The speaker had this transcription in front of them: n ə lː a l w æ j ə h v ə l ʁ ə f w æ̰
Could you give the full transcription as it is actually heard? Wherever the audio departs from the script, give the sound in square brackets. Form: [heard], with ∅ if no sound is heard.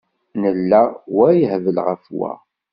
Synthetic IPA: n ə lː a [∅] w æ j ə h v ə l ʁ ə f w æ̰